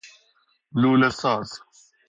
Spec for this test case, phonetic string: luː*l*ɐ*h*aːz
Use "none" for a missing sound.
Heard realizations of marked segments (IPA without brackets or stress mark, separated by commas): l, s